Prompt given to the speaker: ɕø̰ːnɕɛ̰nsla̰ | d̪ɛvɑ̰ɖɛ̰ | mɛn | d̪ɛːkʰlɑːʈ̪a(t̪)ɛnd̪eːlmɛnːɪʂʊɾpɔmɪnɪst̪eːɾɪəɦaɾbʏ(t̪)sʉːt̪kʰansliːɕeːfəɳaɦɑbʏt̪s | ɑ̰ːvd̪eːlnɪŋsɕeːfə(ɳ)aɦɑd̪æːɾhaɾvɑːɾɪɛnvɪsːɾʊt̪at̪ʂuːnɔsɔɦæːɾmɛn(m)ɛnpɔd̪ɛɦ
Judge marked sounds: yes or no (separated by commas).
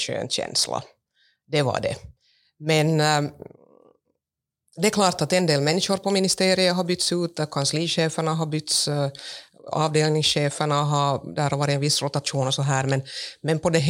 yes, yes, yes, yes